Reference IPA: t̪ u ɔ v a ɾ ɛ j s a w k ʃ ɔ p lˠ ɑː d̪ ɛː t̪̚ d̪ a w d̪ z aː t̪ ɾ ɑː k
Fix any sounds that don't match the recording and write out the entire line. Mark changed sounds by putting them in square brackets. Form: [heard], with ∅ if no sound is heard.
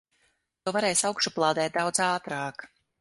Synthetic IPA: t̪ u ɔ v a ɾ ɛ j s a w k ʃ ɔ p lˠ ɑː d̪ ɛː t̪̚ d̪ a w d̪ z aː t̪ ɾ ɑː k